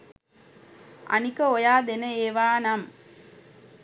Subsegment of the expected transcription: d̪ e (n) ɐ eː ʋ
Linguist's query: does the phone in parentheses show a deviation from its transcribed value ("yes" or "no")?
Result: no